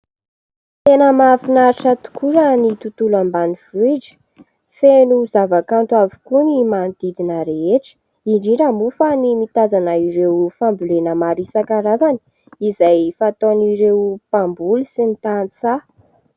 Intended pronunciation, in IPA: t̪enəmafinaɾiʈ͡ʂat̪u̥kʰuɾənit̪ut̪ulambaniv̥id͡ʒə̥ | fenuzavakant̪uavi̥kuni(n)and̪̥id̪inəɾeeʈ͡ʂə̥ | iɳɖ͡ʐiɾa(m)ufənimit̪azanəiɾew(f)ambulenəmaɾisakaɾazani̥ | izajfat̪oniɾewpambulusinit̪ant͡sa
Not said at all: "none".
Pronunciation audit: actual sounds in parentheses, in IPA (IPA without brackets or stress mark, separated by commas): m, m, f